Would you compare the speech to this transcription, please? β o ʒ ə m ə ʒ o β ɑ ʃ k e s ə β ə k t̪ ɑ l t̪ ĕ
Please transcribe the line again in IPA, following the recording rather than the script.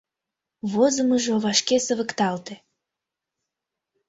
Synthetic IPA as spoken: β o z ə m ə ʒ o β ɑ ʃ k e s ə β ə k t̪ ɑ l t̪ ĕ

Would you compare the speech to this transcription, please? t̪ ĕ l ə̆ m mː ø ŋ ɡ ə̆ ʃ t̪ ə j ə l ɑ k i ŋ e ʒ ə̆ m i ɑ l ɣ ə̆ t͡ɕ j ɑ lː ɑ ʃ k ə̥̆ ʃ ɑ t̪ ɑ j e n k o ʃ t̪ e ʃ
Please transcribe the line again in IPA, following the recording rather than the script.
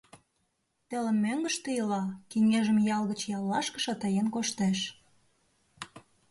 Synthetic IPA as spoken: t̪ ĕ l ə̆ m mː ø ŋ ɡ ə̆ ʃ t̪ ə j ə l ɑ k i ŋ e ʒ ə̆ m j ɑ l ɣ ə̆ t͡ɕ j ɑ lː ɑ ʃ k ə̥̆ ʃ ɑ t̪ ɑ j e n k o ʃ t̪ e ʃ

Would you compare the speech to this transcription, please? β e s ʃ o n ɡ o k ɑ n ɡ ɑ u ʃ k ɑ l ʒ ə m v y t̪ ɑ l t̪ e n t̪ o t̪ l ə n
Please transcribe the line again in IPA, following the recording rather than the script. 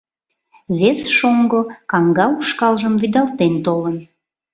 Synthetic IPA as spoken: β e s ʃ o ŋ ɡ o k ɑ ŋ ɡ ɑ u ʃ k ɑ l ʒ ə m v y d̪ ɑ l t̪ e n t̪ o l ə n

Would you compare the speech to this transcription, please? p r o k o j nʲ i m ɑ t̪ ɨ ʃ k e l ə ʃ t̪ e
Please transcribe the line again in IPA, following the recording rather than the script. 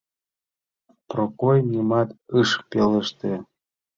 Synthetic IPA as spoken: p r o k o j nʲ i m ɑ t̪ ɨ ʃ p e l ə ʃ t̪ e

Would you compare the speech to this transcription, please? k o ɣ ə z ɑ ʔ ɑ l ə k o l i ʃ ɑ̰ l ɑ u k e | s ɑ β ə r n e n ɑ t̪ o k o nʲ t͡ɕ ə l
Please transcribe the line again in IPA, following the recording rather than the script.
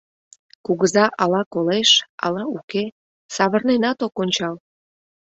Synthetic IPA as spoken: k u ɣ ə z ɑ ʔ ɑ l ɑ k o l e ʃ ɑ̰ l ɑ u k e | s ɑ β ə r n e n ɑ t̪ o k o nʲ t͡ɕ ɑ l

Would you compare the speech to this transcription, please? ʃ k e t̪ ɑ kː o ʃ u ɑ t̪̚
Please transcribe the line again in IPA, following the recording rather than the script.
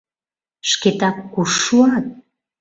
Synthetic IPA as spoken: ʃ k e t̪ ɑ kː u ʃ u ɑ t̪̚

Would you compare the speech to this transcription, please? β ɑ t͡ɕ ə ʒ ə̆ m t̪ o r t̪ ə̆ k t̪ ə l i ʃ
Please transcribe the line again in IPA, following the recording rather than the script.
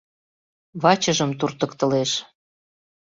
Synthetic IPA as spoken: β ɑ t͡ɕ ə ʒ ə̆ m t̪ u r t̪ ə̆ k t̪ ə l e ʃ

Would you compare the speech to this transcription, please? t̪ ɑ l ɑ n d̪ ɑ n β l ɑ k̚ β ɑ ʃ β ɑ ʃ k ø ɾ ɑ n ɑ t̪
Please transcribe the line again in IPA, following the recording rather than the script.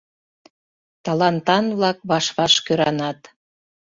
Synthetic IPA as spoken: t̪ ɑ l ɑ n t̪ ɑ n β l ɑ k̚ β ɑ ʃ β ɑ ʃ k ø ɾ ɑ n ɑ t̪

